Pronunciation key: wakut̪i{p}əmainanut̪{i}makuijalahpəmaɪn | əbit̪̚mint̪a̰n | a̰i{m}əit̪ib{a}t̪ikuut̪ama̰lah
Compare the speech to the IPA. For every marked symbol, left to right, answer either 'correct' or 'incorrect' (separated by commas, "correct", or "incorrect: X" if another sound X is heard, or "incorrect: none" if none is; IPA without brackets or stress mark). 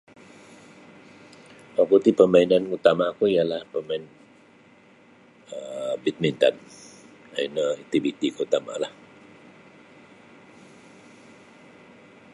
correct, incorrect: a, incorrect: n, incorrect: i